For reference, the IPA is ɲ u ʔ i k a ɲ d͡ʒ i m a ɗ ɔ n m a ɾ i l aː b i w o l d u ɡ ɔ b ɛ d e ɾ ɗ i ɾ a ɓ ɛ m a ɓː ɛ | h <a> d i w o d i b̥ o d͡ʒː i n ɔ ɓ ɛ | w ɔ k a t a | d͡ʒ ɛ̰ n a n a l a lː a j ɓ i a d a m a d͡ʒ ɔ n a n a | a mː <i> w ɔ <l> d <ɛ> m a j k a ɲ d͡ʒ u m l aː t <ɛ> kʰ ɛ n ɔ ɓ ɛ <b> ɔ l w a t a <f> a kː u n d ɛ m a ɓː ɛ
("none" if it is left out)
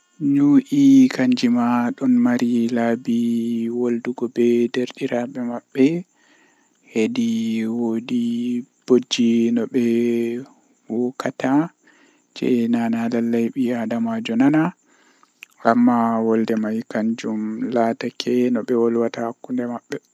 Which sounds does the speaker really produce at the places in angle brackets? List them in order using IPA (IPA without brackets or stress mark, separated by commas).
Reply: e, a, l, ɛ, a, w, h